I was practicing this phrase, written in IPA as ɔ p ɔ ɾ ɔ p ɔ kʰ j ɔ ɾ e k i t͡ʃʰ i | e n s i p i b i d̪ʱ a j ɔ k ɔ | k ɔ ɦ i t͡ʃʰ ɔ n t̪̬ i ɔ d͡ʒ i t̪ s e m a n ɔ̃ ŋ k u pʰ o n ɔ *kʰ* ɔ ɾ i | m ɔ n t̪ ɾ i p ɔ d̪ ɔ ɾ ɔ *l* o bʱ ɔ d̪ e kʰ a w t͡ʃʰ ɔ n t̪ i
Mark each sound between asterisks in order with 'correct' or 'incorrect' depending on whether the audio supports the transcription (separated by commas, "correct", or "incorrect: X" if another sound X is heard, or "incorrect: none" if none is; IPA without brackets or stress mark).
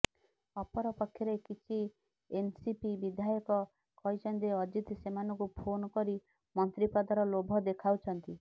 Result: incorrect: k, correct